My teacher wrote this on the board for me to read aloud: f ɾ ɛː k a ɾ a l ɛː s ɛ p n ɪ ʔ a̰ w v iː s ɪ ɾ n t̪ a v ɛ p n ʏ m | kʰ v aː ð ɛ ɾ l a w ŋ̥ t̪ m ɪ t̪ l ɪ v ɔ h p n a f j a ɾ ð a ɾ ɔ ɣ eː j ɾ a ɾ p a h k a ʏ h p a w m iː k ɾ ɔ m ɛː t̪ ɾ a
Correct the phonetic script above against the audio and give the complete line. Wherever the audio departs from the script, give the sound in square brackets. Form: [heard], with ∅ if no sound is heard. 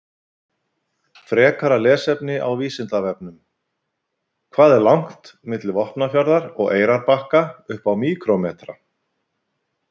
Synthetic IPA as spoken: f ɾ ɛː k a ɾ a l ɛː s ɛ p n ɪ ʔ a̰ w v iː s ɪ [∅] n t̪ a v ɛ p n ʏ m | kʰ v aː ð ɛ ɾ l a w ŋ̥ t̪ m ɪ t̪ l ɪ v ɔ h p n a f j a ɾ ð a ɾ ɔ ɣ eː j ɾ a ɾ p a h k a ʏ h p a w m iː k ɾ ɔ m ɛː t̪ ɾ a